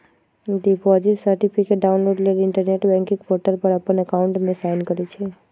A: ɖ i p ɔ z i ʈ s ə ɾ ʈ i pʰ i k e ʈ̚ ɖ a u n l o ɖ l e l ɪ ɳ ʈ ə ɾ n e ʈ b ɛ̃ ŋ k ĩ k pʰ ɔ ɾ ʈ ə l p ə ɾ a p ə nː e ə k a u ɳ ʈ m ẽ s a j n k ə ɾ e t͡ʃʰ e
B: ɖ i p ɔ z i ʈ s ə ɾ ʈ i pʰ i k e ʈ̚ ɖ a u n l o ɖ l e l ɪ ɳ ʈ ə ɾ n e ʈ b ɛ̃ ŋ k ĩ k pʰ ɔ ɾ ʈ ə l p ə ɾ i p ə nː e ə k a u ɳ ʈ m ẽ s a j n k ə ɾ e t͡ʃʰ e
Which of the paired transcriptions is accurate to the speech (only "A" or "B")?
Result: A